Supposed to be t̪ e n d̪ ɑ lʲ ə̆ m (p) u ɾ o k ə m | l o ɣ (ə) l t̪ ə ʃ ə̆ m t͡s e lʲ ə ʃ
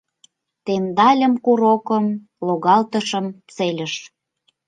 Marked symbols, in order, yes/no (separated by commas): no, no